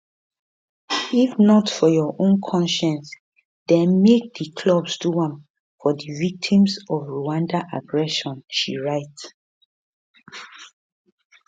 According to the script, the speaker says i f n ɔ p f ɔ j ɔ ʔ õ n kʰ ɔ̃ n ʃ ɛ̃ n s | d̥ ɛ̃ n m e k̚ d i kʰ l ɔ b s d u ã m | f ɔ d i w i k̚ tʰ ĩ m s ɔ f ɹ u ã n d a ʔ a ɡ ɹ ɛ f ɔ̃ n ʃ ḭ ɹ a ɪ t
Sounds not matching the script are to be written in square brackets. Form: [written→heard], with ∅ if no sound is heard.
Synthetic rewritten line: i f n ɔ [p→t] f ɔ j ɔ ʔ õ n kʰ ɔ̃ n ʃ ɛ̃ n s | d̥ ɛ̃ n m e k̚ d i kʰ l ɔ b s d u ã m | f ɔ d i [w→v] i k̚ tʰ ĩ m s ɔ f ɹ u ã n d a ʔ a ɡ ɹ ɛ [f→ʃ] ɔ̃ n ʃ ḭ ɹ a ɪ t